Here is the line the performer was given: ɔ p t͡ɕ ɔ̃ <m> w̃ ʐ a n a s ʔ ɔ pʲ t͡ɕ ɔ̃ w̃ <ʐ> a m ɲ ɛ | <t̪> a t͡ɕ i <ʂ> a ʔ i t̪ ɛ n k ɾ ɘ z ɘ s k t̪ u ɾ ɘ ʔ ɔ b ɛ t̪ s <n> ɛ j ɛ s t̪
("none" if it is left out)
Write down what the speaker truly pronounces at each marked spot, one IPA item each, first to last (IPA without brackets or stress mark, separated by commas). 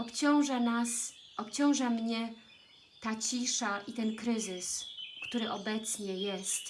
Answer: none, ʐ, t̪, ʂ, ɲ